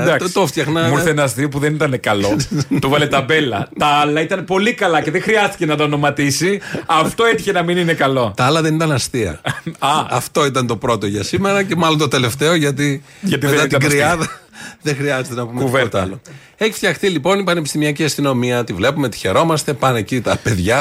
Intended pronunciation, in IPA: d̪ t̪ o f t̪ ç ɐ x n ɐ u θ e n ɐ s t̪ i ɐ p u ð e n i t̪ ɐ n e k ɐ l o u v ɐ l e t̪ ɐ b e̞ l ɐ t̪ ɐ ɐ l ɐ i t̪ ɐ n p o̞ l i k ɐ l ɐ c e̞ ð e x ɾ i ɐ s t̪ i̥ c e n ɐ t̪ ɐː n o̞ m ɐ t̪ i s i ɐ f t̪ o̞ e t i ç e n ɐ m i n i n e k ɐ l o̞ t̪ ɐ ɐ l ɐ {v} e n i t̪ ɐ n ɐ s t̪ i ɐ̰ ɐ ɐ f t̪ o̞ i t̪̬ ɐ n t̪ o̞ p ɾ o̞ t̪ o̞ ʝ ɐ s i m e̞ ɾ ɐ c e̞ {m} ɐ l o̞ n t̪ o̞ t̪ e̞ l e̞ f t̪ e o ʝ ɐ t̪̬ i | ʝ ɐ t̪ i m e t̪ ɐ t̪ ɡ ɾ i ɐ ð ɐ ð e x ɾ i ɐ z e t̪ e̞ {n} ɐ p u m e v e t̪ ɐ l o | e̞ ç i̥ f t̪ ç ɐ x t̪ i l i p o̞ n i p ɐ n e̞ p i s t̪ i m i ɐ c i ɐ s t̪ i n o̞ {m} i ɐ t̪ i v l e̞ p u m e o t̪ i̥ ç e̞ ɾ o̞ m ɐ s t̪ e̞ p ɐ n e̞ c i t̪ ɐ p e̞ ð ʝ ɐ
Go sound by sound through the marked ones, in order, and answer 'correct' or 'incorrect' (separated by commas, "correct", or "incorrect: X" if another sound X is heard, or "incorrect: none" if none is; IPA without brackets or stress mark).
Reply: incorrect: ð, correct, correct, correct